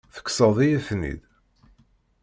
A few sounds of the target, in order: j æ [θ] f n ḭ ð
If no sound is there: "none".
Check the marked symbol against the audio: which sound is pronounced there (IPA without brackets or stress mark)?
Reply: none